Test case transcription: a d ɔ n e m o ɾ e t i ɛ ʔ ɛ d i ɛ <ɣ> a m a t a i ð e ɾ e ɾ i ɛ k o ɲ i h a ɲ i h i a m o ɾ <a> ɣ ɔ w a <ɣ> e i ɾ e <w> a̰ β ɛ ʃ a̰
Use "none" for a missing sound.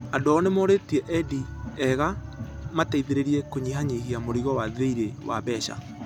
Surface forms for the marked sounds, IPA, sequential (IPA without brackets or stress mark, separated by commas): ɣ, i, ð, w